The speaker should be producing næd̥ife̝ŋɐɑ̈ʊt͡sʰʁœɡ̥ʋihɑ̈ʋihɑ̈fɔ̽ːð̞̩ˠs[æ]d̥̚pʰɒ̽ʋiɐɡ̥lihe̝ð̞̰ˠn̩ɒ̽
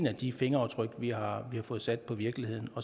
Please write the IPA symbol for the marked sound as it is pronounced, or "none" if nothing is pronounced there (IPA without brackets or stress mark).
æ